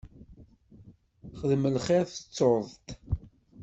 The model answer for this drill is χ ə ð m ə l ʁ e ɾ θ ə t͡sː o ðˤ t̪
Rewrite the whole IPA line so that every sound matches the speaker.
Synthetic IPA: χ ə ð m ə l χ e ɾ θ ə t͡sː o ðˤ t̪